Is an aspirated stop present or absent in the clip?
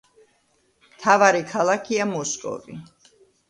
present